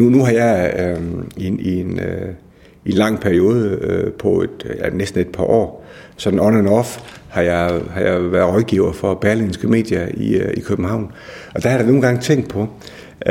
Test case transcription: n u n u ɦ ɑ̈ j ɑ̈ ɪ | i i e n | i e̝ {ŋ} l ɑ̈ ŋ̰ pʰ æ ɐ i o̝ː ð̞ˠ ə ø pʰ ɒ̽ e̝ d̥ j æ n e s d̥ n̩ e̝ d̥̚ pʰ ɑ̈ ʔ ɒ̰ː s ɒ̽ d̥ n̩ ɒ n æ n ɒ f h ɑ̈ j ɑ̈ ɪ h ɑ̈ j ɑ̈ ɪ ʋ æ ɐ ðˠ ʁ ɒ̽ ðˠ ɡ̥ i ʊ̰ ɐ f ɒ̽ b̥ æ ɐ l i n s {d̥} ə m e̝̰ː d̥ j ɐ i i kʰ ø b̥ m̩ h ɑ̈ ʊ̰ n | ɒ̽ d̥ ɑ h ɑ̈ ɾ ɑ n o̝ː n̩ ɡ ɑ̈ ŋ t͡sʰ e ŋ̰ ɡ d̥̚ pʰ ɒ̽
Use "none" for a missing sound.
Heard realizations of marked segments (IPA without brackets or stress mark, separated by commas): n, ɡ̥